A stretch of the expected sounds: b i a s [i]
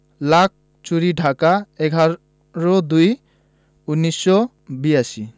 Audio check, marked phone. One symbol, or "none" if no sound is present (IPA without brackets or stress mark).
i